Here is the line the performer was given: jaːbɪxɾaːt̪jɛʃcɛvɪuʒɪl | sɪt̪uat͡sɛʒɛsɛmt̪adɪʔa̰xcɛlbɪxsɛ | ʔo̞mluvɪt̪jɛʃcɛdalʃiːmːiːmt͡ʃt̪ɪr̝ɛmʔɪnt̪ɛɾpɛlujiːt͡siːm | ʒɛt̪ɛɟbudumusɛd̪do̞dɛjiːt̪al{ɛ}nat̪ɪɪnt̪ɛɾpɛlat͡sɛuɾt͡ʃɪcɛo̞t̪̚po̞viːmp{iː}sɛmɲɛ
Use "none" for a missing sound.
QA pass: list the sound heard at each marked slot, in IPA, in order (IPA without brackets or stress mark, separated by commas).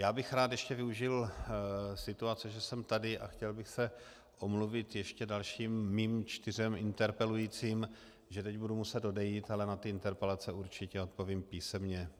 ɛ, iː